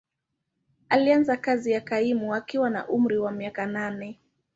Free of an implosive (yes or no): yes